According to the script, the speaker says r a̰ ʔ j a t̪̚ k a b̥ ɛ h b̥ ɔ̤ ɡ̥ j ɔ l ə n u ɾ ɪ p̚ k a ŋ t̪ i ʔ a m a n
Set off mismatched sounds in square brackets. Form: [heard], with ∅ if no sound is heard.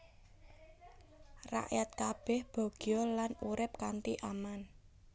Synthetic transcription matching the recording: r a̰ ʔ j a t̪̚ k a b̥ ɛ h b̥ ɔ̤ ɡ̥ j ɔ l [a] n u ɾ ɪ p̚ k a [n] t̪ i ʔ a m a n